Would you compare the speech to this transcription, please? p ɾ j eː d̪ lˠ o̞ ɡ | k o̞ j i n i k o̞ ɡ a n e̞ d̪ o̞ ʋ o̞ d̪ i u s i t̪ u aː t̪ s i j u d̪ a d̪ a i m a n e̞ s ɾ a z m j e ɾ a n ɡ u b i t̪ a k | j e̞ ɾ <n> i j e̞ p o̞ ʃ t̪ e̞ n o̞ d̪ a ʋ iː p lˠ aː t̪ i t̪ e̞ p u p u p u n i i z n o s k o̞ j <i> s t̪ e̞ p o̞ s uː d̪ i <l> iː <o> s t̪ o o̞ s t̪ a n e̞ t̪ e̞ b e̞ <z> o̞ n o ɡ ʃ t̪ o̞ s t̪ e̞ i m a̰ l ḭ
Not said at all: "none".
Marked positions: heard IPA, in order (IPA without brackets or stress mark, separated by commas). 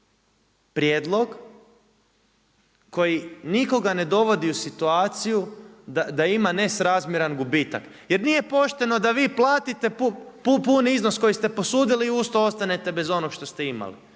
n, i, l, u, z